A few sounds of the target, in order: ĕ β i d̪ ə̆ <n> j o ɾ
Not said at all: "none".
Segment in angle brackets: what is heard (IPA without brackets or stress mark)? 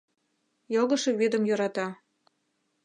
m